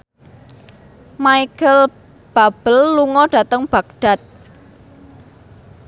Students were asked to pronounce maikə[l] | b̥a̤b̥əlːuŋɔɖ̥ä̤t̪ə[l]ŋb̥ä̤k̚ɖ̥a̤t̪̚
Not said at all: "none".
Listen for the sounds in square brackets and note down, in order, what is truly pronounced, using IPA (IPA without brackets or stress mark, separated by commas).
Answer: l, none